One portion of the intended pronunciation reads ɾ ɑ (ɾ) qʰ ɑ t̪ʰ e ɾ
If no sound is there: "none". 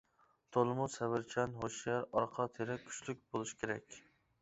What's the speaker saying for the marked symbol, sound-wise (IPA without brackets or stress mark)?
ɾ